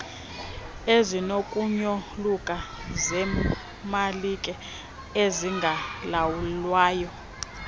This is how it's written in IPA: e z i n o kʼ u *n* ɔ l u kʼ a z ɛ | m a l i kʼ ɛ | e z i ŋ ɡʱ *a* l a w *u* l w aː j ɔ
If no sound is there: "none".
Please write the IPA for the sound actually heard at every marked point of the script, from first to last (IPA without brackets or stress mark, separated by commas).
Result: ɲ, a, u